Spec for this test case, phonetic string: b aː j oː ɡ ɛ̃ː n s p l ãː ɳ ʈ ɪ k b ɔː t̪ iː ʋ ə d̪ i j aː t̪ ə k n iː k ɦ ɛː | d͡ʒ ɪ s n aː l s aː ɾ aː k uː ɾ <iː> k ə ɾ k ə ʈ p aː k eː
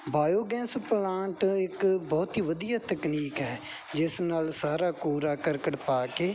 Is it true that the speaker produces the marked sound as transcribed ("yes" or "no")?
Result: no